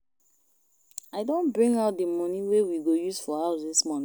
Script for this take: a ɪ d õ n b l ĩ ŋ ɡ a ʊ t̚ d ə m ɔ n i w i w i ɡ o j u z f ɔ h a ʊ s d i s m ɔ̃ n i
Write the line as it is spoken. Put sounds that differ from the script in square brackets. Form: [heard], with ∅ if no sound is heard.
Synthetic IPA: a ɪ d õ n b [ɹ] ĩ ŋ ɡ a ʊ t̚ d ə m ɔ n i w [e] w i ɡ o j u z f ɔ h a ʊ s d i s m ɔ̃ n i